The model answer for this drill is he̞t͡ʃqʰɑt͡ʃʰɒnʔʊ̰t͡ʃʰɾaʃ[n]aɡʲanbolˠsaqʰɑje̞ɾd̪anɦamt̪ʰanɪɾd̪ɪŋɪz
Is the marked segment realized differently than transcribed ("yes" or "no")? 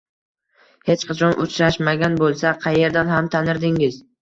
yes